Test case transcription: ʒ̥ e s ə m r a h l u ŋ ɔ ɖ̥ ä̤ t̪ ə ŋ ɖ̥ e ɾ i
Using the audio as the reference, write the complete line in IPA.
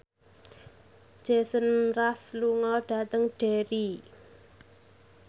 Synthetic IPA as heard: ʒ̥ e s ə n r a s l u ŋ ɔ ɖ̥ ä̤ t̪ ə ŋ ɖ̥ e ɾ i